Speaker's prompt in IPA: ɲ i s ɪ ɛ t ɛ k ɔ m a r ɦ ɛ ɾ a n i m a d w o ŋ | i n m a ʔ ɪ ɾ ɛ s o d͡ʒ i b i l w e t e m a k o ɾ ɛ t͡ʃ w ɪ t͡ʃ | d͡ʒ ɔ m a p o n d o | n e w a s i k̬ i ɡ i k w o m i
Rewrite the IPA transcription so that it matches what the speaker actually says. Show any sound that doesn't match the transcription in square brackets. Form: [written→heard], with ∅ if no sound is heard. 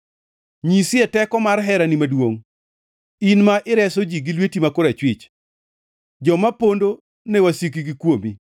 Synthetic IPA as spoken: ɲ i s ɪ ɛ t ɛ k ɔ m a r ɦ ɛ ɾ a n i m a d w o ŋ | i n m a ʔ ɪ ɾ ɛ s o d͡ʒ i [b→ɡ] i l w e t [e→i] m a k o ɾ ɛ t͡ʃ w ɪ t͡ʃ | d͡ʒ ɔ m a p o n d o | n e w a s i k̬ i ɡ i k w o m i